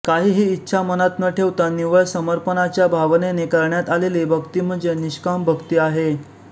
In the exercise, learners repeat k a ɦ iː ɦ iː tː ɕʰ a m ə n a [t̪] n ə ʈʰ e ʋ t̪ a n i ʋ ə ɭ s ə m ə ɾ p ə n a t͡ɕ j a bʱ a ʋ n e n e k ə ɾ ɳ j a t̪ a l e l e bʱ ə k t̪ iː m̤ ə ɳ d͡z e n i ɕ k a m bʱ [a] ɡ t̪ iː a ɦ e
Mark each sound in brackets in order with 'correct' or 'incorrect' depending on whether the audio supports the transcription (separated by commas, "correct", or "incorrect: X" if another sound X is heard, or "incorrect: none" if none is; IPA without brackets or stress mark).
correct, incorrect: ə